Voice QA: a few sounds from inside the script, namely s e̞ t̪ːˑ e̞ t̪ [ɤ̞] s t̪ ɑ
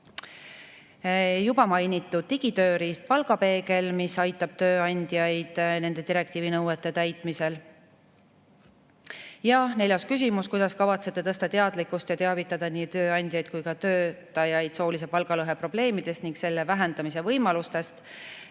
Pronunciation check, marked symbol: correct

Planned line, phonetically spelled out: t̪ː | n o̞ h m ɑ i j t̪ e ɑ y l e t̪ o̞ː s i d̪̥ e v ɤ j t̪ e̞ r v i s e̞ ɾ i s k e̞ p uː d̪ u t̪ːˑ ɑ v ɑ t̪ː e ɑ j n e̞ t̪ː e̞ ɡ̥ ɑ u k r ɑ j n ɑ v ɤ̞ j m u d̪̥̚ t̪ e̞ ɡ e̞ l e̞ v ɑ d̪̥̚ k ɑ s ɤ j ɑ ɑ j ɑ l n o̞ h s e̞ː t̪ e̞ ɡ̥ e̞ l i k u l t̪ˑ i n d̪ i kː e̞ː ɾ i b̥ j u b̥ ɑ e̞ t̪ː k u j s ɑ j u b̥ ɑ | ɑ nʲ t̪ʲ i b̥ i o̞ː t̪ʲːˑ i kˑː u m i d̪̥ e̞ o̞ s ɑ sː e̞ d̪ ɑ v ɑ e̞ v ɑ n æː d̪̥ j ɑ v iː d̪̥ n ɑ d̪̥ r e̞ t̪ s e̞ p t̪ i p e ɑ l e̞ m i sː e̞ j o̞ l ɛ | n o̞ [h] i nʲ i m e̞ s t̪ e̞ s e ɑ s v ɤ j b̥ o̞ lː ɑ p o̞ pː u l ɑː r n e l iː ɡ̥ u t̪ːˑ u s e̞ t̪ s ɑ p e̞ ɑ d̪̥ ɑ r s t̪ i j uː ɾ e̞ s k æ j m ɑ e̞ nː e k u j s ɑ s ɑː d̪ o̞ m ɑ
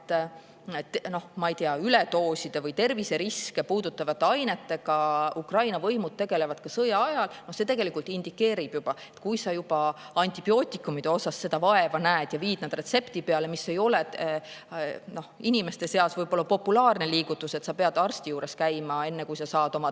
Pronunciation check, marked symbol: correct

